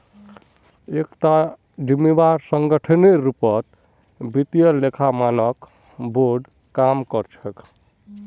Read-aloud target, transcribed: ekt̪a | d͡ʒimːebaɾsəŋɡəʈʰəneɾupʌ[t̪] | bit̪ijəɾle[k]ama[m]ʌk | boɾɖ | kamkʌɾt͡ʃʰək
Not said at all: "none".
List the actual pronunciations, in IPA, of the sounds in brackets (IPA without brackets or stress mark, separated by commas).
t̪, kʰ, n